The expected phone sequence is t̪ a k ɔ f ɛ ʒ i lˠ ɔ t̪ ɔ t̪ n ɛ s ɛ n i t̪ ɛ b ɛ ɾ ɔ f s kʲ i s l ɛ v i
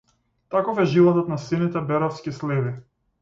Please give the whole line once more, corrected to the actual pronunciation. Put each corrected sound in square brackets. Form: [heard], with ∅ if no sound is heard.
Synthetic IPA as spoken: t̪ a k ɔ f ɛ ʒ i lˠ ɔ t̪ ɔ t̪ n [a] s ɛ n i t̪ ɛ b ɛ ɾ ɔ f s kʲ i s l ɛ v i